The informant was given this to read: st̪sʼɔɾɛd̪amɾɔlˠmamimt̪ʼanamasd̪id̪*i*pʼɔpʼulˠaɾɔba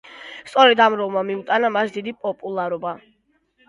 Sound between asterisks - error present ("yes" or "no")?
no